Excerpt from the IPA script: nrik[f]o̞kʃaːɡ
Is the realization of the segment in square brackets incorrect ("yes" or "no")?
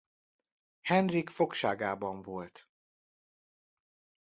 no